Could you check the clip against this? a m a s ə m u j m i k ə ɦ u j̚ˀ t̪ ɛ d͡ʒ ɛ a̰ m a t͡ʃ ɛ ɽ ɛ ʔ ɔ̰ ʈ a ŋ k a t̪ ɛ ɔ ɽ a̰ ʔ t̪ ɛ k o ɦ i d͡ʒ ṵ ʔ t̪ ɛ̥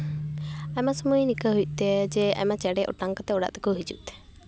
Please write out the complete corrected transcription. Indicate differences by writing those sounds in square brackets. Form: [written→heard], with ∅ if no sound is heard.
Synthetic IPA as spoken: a m a s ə m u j [m→n] i k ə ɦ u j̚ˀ t̪ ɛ d͡ʒ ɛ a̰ m a t͡ʃ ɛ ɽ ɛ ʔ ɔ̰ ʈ a ŋ k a t̪ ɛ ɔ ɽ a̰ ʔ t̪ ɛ k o ɦ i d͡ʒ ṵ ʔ t̪ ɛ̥